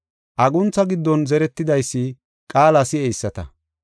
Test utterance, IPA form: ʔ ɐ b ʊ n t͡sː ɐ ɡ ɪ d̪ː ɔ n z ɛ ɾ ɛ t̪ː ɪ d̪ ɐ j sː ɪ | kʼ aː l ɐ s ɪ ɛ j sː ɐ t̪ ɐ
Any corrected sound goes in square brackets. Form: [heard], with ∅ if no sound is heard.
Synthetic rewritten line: ʔ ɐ [ɡ] ʊ n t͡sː ɐ ɡ ɪ d̪ː ɔ n z ɛ ɾ ɛ t̪ː ɪ d̪ ɐ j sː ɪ | kʼ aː l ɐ s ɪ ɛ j sː ɐ t̪ ɐ